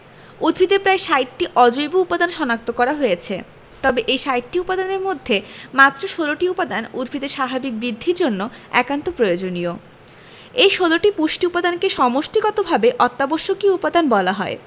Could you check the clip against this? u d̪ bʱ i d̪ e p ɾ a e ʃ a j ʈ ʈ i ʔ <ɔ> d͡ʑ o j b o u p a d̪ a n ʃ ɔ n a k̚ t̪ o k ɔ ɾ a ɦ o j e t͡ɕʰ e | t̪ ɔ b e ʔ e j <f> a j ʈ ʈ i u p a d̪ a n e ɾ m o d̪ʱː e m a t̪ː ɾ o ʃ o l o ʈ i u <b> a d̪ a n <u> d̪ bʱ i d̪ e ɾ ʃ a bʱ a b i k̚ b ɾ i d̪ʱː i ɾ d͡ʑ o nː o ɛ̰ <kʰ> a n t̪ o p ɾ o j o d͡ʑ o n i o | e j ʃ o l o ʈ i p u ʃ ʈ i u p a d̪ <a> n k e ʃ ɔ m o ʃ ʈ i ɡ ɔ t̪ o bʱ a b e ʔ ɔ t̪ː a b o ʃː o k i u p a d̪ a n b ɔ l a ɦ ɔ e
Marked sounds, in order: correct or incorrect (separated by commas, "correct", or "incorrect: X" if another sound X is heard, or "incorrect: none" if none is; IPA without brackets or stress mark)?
correct, incorrect: ʃ, incorrect: p, correct, incorrect: k, correct